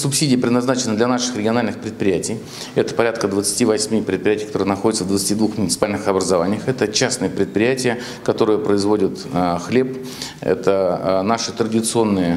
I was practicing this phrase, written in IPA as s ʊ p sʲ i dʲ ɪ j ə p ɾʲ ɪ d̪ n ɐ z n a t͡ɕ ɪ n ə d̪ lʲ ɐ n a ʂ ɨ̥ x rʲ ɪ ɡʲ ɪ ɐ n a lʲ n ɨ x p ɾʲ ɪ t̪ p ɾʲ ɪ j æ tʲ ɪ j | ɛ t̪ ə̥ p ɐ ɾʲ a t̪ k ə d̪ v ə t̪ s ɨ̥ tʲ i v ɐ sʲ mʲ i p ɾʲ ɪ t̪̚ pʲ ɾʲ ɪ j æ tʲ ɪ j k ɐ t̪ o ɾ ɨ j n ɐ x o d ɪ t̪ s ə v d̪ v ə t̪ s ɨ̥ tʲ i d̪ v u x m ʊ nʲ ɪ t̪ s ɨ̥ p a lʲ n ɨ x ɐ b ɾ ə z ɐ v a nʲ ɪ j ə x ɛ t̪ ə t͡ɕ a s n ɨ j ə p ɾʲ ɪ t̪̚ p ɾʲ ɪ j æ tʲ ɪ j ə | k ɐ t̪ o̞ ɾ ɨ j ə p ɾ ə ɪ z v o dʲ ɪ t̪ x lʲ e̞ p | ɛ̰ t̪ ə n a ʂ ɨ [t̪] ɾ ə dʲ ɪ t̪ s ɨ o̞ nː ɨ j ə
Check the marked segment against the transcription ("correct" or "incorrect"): correct